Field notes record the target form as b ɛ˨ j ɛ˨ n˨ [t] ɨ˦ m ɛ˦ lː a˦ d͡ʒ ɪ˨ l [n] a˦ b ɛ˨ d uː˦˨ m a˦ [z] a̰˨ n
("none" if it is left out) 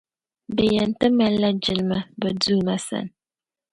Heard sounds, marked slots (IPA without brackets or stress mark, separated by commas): t, m, s